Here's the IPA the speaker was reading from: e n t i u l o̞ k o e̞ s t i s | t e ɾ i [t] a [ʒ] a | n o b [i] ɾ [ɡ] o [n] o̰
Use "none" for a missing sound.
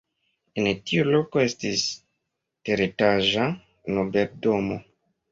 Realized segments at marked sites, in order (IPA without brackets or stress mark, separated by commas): t, ʒ, e, d, m